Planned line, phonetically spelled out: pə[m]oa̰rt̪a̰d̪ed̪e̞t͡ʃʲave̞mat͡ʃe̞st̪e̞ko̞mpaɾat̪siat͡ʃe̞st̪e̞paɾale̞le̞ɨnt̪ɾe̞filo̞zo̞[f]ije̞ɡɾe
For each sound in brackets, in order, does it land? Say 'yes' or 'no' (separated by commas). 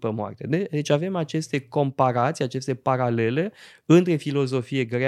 yes, yes